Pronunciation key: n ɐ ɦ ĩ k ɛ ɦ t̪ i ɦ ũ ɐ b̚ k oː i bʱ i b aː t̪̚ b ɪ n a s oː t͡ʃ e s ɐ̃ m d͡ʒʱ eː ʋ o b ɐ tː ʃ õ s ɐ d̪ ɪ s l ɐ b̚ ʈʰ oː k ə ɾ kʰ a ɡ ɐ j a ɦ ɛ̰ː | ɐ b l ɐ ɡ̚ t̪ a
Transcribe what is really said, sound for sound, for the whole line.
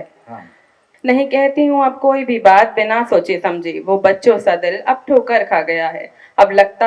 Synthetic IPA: n ɐ ɦ ĩ k ɛ ɦ t̪ i ɦ ũ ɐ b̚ k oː i bʱ i b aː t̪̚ b ɪ n a s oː t͡ʃ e s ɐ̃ m d͡ʒʱ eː ʋ o b ɐ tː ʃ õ s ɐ d̪ ɪ l ɐ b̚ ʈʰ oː k ə ɾ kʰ a ɡ ɐ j a ɦ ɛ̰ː | ɐ b l ɐ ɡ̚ t̪ a